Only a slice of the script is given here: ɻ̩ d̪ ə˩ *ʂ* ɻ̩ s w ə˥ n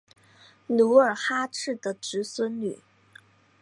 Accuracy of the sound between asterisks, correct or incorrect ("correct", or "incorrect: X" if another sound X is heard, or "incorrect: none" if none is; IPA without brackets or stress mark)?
incorrect: ʈ͡ʂ